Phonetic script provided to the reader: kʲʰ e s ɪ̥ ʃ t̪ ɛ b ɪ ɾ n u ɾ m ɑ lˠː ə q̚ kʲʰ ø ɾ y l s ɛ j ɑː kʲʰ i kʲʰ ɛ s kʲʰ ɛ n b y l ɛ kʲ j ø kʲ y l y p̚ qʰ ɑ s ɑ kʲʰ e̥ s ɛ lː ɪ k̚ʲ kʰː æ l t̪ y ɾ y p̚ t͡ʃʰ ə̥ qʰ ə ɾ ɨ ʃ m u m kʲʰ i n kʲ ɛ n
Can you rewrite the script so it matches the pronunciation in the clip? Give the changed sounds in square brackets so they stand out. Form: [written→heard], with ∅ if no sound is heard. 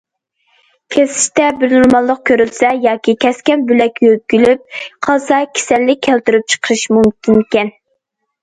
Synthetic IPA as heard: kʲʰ e s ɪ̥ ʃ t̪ ɛ b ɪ ɾ n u ɾ m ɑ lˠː ə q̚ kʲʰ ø ɾ y l s ɛ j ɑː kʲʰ i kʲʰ ɛ s [kʲʰ→kʲ] ɛ n b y l ɛ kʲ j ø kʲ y l y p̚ qʰ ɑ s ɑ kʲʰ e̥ s ɛ lː ɪ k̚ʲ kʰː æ l t̪ y ɾ y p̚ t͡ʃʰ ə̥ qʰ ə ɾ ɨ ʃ m u m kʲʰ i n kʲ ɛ n

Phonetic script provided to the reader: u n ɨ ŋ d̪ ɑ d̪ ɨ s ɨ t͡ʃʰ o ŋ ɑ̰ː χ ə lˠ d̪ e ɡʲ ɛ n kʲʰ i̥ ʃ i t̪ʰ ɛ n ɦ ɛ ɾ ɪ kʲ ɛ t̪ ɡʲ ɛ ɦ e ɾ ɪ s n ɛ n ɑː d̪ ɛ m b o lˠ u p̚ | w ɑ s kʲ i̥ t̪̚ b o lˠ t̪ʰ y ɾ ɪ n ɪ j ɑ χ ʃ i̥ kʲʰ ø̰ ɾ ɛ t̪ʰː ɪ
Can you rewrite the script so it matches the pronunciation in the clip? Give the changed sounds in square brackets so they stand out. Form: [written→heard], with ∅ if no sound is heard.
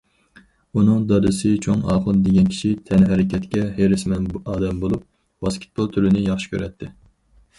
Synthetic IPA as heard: u n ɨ ŋ d̪ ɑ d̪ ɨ s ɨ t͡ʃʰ o ŋ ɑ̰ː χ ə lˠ d̪ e ɡʲ ɛ n kʲʰ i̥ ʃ i t̪ʰ ɛ n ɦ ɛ ɾ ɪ kʲ ɛ t̪ [ɡʲ→kʲ] ɛ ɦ e ɾ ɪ s [n→m] ɛ n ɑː d̪ ɛ m b o lˠ u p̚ | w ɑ s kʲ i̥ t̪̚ b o lˠ t̪ʰ y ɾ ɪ n ɪ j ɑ χ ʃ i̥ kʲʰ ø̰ ɾ ɛ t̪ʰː ɪ

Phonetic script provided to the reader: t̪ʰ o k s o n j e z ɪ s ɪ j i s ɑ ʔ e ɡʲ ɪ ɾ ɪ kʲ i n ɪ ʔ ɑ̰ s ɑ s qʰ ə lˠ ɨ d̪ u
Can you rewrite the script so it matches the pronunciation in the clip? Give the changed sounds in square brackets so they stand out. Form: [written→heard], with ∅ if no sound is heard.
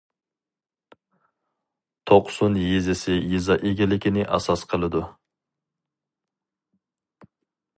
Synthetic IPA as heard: t̪ʰ o [k→q] s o n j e z ɪ s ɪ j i [s→z] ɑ ʔ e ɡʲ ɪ [ɾ→l] ɪ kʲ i n ɪ ʔ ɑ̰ s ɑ s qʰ ə lˠ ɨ d̪ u

